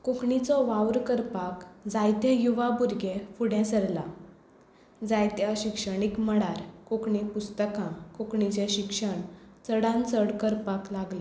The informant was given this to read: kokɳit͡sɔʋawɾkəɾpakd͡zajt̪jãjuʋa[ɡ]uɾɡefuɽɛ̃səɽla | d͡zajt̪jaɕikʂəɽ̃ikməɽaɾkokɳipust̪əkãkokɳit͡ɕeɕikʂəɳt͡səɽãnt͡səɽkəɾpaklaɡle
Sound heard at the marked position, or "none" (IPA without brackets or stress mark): b